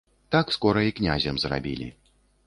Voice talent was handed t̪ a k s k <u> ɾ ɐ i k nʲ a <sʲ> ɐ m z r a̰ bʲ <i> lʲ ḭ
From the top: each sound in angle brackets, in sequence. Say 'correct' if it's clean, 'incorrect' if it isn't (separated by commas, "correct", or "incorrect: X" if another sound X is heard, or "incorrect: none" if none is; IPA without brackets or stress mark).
incorrect: ɔ, incorrect: zʲ, correct